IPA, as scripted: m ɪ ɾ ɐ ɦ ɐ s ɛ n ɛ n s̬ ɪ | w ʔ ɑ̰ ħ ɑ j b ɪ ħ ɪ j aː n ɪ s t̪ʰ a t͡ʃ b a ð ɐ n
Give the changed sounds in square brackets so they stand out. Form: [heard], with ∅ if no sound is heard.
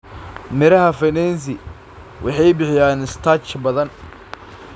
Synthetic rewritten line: m ɪ ɾ ɐ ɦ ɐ [f] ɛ n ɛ n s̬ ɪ | w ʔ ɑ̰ ħ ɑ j b ɪ ħ ɪ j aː n ɪ s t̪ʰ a t͡ʃ b [ɐ] ð ɐ n